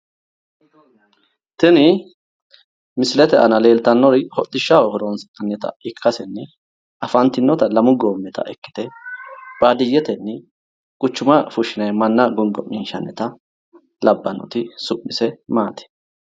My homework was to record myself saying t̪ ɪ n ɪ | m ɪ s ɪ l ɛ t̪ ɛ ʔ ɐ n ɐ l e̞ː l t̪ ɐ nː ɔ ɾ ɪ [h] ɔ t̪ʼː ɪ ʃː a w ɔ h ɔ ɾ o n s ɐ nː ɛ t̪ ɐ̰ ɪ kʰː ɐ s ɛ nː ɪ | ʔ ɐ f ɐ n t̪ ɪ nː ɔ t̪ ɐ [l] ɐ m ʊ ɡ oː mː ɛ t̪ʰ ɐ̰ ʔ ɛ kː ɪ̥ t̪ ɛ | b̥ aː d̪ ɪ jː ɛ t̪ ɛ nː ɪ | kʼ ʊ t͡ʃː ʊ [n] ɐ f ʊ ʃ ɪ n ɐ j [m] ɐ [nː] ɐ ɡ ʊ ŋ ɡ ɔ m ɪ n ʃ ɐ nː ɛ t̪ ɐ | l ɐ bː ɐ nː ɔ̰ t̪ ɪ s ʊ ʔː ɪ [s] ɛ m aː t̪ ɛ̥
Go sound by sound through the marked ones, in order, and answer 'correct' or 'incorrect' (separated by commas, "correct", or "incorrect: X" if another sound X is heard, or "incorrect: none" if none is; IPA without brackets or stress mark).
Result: correct, correct, incorrect: m, correct, correct, correct